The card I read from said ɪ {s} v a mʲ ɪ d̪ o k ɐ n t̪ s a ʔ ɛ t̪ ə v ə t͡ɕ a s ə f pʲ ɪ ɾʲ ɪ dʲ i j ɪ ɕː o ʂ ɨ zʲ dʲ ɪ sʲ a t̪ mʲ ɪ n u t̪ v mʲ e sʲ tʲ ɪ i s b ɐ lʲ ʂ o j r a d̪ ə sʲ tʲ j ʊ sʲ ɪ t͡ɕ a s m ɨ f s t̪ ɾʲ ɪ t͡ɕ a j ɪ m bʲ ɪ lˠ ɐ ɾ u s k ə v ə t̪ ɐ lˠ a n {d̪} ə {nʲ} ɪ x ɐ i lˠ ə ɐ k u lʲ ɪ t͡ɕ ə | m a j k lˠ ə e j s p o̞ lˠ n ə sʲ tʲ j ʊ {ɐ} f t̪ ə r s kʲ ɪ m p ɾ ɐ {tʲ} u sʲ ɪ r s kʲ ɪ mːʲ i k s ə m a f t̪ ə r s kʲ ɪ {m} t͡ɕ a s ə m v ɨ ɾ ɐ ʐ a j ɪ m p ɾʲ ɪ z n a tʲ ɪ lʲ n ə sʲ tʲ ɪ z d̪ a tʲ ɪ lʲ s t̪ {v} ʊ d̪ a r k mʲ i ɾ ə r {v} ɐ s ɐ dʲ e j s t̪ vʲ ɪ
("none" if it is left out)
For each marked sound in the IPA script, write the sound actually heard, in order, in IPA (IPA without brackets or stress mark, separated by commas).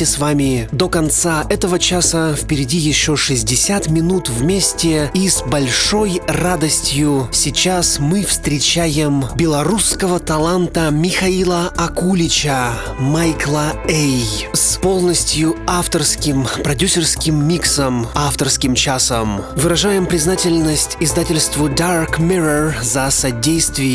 s, t̪, mʲ, a, dʲ, m, v, z